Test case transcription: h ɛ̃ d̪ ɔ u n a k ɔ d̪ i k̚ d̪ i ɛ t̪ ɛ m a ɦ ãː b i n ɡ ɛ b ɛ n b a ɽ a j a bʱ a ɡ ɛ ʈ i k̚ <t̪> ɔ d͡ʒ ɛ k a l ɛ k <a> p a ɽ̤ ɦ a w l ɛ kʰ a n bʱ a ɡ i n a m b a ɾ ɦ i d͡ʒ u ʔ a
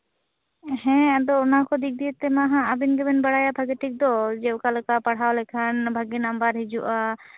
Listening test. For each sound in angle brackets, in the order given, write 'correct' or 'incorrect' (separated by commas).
incorrect, correct